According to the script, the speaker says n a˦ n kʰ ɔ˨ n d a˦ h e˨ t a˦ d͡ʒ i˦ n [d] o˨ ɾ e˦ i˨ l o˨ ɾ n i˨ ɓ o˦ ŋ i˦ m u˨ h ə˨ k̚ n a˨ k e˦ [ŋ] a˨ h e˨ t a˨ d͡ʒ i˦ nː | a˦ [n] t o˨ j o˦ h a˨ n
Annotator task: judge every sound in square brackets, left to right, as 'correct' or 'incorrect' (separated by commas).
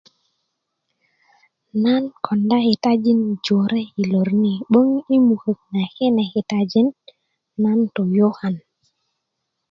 incorrect, incorrect, correct